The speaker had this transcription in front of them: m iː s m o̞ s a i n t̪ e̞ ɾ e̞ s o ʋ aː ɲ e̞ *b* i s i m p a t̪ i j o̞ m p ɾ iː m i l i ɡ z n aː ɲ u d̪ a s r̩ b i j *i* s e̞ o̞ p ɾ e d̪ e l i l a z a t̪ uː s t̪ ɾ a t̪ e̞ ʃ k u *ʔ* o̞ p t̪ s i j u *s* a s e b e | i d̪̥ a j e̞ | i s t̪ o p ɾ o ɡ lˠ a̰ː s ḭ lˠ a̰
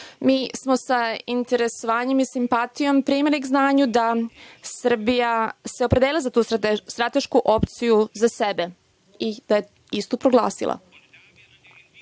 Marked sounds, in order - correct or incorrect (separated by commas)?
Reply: incorrect, incorrect, correct, incorrect